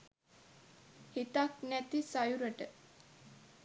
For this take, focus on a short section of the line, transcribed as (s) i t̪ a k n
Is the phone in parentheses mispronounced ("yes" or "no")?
yes